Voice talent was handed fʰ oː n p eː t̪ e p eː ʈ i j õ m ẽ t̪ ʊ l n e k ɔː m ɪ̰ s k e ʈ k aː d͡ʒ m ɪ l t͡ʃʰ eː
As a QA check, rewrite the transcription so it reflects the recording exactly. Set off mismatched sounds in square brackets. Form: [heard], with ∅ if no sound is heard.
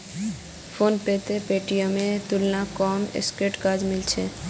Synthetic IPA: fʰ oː n p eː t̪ e p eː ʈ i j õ m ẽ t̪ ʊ l n [a] k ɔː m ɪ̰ s k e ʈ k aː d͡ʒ m ɪ l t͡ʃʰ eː